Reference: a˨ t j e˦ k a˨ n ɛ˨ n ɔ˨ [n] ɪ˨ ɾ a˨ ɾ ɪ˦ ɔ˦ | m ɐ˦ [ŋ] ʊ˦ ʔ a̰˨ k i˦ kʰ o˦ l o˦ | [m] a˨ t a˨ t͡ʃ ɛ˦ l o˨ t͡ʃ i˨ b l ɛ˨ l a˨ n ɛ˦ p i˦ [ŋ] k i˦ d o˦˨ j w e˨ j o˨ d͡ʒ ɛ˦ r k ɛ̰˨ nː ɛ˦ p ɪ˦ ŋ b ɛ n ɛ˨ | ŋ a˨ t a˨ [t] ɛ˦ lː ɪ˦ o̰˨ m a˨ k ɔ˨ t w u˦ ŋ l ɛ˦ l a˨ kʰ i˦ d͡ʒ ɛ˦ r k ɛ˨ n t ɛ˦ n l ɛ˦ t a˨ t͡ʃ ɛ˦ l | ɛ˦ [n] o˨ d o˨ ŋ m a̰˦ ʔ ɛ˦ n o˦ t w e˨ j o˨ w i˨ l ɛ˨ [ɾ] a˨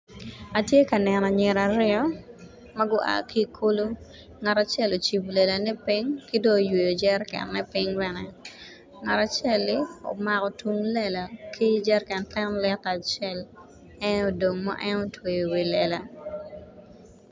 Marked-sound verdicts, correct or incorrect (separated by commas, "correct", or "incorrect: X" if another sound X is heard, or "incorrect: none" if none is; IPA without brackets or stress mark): incorrect: ɲ, incorrect: ɡ, incorrect: ŋ, correct, incorrect: t͡ʃ, correct, incorrect: l